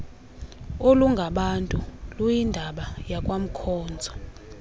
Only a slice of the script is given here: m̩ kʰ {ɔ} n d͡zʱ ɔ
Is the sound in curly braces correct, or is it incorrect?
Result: incorrect: ɔː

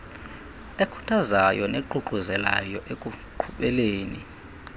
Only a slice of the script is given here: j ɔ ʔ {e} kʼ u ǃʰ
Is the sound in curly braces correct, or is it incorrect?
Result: correct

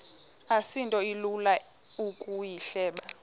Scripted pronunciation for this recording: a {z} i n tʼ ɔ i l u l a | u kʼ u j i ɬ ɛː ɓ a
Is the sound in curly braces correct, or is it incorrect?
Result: incorrect: s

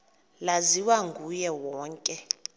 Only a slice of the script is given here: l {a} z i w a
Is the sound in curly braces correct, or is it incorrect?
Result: correct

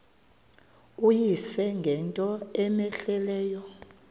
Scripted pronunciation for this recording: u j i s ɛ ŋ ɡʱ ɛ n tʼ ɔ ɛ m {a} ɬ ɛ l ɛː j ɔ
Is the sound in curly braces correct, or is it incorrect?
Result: incorrect: ɛ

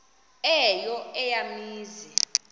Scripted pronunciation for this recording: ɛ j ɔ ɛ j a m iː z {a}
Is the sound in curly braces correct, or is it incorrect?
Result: incorrect: i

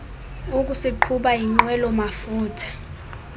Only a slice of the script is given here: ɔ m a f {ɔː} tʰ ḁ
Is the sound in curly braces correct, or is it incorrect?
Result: incorrect: uː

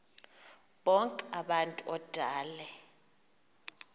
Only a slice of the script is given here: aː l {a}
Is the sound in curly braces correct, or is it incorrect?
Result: incorrect: ɛ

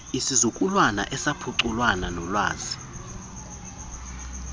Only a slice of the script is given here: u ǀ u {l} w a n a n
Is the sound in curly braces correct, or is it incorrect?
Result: correct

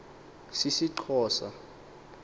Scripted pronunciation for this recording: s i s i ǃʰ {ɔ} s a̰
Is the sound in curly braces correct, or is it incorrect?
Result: incorrect: ɔː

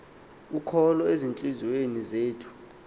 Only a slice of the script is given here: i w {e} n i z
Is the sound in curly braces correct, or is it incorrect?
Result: correct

